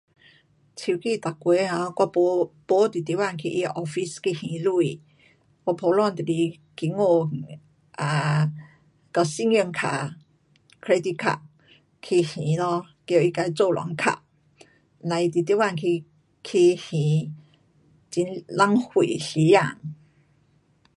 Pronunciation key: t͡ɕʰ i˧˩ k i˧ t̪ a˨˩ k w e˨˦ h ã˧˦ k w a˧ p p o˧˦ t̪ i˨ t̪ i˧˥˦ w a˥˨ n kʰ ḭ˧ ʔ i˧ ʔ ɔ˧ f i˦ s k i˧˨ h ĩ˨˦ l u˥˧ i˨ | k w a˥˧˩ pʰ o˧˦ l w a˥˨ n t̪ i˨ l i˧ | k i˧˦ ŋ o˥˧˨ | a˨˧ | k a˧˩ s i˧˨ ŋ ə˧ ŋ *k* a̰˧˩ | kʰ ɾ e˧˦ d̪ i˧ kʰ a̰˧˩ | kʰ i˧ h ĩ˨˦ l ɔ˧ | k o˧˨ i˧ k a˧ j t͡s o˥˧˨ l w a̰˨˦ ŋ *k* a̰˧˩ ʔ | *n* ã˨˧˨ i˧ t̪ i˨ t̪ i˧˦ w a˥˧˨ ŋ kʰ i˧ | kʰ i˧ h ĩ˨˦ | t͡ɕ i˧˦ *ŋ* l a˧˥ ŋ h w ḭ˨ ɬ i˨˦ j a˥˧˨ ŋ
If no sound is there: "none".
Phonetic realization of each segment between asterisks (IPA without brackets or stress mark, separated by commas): kʰ, kʰ, n, n